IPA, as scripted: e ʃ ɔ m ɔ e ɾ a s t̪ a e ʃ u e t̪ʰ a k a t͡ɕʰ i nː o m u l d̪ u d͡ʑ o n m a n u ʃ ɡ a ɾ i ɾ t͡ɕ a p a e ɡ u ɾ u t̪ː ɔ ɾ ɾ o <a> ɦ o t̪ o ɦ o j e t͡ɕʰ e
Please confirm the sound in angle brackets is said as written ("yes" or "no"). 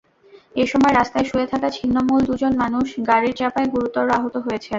yes